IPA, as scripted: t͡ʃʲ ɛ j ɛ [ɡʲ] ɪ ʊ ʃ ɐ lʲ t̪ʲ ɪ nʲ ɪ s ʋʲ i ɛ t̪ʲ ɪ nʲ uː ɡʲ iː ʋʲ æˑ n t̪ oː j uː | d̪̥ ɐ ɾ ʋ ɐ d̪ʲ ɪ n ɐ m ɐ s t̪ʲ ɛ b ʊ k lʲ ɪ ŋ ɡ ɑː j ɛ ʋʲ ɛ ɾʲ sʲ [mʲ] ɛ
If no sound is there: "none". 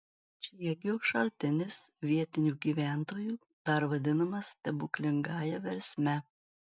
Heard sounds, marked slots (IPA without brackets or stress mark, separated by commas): ɡʲ, mʲ